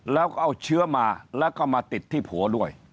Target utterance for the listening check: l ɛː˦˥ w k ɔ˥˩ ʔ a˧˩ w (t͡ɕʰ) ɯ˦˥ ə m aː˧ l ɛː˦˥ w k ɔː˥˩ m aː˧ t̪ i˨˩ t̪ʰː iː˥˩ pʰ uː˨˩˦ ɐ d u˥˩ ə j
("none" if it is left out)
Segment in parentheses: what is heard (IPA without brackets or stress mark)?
t͡ɕʰ